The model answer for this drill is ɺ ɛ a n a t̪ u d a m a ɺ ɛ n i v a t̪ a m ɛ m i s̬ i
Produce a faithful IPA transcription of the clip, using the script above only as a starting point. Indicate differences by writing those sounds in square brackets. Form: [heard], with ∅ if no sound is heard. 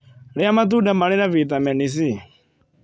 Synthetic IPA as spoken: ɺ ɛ a [m] a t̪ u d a m a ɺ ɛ n [a] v [i] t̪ a m ɛ [n] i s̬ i